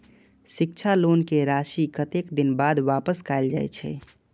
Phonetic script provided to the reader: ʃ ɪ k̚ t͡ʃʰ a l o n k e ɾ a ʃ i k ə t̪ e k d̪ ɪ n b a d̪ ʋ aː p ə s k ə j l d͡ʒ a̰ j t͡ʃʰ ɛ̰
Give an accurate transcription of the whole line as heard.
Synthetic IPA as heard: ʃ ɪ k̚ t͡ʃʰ a l o n k e ɾ a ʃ i k ə t̪ e k d̪ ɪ n b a d̪ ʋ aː p ə s k a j l d͡ʒ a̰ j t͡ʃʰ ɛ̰